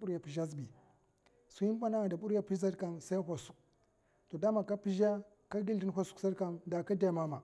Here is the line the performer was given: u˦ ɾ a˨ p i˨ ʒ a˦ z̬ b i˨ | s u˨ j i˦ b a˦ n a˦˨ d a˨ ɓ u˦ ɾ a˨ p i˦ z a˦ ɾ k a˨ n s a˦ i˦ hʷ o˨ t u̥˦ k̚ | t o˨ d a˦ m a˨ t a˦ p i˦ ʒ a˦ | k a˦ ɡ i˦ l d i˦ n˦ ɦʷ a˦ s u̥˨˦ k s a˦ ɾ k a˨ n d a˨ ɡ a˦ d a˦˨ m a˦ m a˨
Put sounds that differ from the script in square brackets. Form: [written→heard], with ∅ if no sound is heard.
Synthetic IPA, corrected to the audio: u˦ ɾ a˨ p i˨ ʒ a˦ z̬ b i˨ | s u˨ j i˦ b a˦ n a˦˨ d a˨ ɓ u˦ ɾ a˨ p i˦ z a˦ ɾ k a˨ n s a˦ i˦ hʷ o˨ [t→s] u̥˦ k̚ | t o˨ d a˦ m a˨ [t→k] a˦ p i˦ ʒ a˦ | k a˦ ɡ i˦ l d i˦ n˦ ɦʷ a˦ s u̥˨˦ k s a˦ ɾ k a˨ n d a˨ [ɡ→k] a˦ d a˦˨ m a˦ m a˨